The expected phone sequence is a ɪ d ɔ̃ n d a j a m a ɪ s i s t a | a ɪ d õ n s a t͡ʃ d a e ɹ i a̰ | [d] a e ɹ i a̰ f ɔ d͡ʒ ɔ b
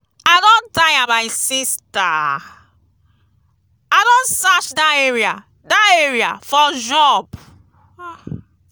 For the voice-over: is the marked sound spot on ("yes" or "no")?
yes